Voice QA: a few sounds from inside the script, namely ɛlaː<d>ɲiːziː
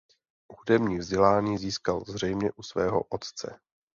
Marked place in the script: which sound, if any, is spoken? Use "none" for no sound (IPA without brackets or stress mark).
none